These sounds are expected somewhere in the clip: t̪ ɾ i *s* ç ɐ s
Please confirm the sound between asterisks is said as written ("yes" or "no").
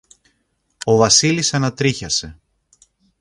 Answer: no